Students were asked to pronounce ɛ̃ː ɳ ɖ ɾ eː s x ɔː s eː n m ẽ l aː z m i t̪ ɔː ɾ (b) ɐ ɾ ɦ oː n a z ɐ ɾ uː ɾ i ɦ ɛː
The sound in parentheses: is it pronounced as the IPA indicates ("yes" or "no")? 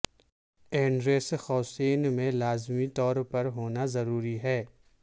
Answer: no